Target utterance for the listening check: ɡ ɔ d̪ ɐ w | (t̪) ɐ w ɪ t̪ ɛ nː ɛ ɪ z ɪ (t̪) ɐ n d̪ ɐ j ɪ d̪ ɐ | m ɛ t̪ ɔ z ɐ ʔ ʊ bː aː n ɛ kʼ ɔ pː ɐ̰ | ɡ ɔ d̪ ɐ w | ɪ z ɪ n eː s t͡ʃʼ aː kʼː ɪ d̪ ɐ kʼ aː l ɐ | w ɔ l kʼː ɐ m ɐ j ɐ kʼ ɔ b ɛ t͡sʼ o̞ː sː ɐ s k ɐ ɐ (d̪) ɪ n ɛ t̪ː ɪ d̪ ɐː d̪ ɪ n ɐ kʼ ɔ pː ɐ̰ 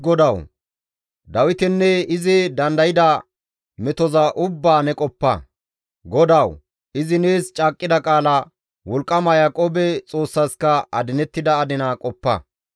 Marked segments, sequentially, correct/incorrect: incorrect: d̪, incorrect: d̪, correct

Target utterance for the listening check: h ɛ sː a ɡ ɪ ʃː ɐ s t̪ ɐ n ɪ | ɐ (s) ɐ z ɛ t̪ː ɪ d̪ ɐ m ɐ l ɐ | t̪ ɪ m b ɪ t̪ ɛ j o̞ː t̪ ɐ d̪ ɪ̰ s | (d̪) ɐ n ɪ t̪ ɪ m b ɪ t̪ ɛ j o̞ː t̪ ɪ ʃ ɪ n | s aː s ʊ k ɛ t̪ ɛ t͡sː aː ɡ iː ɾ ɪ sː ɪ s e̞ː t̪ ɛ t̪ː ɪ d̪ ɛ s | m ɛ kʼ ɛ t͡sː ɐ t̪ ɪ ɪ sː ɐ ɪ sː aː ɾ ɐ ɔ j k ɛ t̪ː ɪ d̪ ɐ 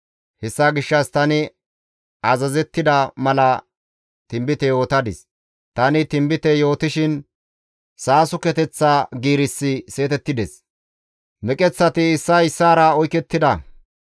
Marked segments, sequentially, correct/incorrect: incorrect: z, incorrect: t̪

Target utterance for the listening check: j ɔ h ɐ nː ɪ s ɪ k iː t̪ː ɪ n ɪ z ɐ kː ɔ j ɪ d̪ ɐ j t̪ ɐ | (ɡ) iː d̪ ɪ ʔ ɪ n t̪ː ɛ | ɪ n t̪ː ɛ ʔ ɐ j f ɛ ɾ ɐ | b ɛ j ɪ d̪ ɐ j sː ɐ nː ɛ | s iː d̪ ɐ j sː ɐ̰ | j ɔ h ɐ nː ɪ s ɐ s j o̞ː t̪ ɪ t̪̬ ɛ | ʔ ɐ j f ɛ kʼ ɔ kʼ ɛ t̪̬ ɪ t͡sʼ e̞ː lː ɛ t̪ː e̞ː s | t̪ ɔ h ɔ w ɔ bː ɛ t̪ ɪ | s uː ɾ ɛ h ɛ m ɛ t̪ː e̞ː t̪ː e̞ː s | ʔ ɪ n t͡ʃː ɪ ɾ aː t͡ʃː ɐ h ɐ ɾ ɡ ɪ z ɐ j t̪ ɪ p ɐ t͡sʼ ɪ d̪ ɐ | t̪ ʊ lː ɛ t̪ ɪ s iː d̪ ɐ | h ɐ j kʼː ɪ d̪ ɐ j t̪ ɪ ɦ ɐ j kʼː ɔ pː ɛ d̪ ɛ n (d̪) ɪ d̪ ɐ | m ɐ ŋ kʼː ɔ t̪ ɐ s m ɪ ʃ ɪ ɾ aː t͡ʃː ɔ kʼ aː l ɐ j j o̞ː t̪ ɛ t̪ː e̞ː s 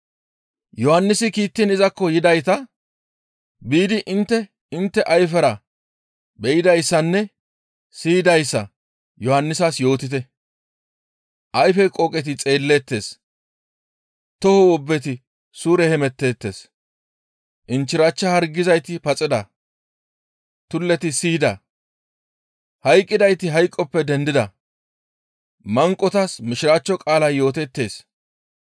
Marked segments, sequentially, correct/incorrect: incorrect: b, correct

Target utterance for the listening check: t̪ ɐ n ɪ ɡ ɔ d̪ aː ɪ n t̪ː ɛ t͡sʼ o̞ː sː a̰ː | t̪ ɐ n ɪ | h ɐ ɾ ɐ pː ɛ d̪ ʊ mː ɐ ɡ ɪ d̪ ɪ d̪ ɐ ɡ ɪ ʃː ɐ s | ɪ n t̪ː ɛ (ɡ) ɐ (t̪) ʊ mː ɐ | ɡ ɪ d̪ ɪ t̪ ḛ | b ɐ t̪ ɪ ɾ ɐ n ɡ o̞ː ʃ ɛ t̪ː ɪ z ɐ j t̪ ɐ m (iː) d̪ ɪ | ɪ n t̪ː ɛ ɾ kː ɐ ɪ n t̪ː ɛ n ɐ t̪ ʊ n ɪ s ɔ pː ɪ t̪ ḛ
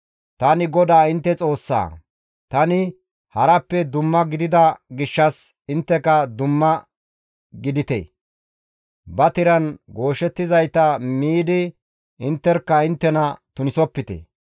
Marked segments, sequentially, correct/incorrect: incorrect: k, incorrect: d̪, correct

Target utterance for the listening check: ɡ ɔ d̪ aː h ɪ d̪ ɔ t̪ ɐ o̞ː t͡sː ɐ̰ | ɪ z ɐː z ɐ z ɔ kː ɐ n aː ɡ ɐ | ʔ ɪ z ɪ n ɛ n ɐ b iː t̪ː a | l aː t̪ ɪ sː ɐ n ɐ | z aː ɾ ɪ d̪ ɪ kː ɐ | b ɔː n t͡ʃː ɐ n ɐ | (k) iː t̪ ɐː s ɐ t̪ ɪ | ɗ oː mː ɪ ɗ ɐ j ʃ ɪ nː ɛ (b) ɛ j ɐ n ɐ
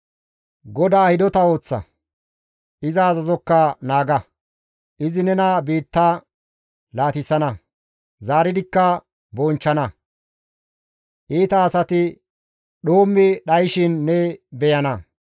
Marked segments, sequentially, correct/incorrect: incorrect: ʔ, correct

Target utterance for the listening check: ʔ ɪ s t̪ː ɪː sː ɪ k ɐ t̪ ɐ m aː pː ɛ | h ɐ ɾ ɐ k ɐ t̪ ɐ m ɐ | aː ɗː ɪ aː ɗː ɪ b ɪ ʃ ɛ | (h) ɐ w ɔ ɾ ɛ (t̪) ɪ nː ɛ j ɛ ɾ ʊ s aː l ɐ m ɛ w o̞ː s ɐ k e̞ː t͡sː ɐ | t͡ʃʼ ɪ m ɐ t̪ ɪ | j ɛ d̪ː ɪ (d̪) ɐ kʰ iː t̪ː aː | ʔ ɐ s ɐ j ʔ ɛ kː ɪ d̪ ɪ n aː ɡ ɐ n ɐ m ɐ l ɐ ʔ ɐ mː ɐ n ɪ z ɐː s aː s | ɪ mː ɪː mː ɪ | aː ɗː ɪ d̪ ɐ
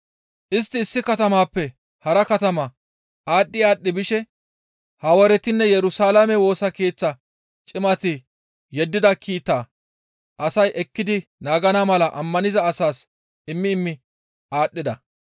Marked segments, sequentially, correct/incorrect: correct, correct, correct

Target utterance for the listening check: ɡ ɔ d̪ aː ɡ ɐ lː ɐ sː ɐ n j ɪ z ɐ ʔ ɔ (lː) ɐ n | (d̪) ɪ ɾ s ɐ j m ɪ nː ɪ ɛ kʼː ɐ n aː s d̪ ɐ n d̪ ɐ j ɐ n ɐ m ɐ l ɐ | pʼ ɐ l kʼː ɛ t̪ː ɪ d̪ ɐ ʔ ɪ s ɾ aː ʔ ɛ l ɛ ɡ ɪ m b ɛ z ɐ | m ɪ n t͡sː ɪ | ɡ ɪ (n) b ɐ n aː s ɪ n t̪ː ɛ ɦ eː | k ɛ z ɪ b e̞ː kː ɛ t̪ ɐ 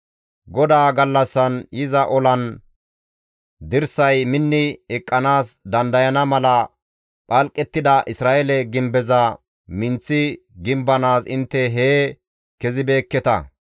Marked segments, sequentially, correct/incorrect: incorrect: l, correct, incorrect: m

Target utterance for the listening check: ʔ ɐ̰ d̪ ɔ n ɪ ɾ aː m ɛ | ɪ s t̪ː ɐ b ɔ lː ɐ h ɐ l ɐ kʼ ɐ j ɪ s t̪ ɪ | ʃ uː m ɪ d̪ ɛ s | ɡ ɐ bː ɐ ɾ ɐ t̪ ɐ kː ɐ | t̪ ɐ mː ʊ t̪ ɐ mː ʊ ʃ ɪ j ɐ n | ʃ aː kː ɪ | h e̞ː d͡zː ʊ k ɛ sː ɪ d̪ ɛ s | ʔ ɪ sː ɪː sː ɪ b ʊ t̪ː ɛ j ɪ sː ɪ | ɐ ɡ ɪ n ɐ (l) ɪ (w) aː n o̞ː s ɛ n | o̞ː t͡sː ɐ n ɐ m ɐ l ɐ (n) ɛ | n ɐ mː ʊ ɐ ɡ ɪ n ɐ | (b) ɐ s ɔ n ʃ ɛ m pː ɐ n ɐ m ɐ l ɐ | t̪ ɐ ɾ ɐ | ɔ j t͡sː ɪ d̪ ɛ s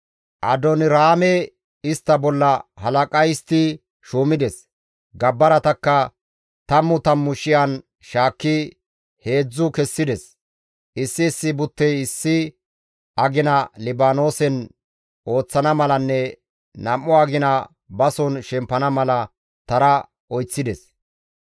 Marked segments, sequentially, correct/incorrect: correct, incorrect: b, incorrect: nː, correct

